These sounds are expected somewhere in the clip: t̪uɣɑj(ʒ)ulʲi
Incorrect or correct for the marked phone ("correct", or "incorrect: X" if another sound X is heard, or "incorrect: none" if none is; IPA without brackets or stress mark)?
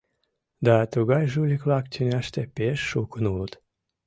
correct